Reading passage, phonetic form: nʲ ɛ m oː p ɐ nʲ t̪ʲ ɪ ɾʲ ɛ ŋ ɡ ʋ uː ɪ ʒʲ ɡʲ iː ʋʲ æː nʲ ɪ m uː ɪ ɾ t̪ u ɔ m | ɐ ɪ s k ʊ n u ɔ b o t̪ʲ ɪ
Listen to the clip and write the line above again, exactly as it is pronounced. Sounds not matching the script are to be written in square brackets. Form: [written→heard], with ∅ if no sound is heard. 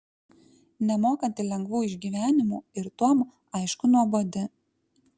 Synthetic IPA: nʲ ɛ m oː [p→k] ɐ nʲ t̪ʲ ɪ [ɾʲ→lʲ] ɛ ŋ ɡ ʋ uː ɪ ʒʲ ɡʲ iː ʋʲ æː nʲ ɪ m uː ɪ ɾ t̪ u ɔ m | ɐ ɪ [s→ʃ] k ʊ n u ɔ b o [t̪ʲ→d̪ʲ] ɪ